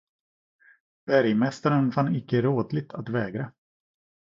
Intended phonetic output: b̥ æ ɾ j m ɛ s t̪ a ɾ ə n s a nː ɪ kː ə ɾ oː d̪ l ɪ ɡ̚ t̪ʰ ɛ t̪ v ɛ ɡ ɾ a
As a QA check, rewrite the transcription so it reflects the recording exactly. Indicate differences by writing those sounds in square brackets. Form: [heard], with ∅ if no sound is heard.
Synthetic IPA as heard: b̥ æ ɾ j m ɛ s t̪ a ɾ ə n [f] a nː ɪ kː ə ɾ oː d̪ l ɪ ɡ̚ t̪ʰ [a] t̪ v [ɛː] ɡ ɾ a